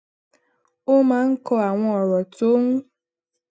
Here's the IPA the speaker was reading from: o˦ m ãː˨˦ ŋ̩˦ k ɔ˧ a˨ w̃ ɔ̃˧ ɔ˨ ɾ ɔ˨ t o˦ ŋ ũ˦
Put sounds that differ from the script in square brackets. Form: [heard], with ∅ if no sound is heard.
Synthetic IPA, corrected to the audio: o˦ m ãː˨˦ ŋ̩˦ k ɔ˧ a˨ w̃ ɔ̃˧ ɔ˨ ɾ ɔ˨ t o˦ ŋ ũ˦